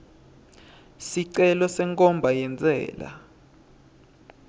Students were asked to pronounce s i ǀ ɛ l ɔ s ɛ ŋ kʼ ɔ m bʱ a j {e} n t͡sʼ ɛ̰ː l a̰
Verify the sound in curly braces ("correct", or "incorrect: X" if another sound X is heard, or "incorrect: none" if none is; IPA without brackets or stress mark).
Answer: incorrect: ɛ